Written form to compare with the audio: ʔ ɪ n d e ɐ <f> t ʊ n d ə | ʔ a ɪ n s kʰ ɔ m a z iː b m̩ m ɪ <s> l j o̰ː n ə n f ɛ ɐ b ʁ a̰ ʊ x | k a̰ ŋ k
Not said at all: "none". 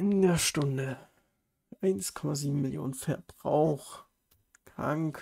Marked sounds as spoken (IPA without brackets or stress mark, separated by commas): ʃ, none